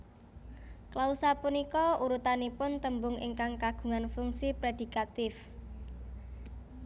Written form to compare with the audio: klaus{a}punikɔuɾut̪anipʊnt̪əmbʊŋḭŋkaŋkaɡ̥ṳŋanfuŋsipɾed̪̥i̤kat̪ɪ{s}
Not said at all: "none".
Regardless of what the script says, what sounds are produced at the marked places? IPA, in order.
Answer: a, f

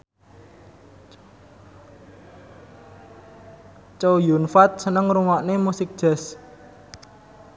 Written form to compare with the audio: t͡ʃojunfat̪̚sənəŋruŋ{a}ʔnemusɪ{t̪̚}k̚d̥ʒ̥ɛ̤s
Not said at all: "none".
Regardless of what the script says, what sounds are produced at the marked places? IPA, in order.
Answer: a, none

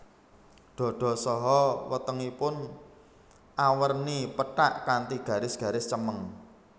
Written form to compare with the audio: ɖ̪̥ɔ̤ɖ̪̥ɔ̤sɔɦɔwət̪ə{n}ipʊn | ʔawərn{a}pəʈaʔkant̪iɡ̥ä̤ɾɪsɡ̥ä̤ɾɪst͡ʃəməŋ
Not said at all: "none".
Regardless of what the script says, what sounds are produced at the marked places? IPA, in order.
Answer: ŋ, i

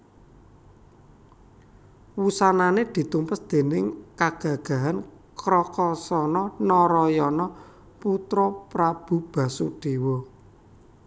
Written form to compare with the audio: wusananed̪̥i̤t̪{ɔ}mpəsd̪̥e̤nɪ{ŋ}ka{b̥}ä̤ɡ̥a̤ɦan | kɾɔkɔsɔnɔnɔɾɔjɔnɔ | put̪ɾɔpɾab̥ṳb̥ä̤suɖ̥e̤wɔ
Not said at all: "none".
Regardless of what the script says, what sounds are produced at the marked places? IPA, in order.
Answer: u, ŋ, ɡ̥

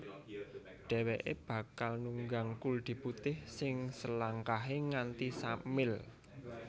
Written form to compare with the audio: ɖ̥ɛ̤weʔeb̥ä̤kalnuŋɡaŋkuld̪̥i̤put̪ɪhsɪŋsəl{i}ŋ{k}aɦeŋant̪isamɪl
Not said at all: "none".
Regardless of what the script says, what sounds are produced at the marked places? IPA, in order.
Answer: a, k

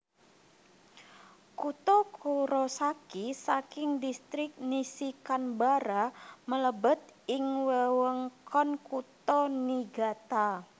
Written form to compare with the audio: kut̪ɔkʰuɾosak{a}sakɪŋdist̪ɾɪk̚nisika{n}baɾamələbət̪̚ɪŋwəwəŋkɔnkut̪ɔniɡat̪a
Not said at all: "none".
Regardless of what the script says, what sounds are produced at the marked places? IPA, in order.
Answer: i, n

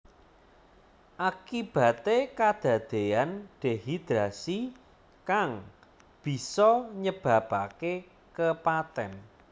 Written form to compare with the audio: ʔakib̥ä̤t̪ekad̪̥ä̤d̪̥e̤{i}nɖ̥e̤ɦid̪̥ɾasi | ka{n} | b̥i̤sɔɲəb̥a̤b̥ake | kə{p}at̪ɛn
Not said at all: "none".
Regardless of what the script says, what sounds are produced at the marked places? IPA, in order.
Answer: a, ŋ, p

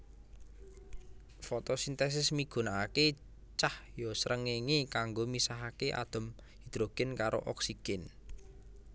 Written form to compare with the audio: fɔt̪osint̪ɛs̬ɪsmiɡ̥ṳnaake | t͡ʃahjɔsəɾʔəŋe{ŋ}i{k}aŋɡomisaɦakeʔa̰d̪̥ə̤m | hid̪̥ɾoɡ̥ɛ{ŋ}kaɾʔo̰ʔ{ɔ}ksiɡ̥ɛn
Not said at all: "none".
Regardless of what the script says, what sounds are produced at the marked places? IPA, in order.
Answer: ŋ, k, n, ɔ

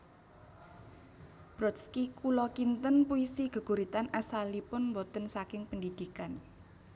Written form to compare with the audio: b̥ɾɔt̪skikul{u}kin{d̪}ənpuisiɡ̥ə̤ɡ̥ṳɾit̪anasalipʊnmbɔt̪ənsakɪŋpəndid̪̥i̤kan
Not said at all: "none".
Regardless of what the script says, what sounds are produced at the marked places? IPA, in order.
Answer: ɔ, t̪

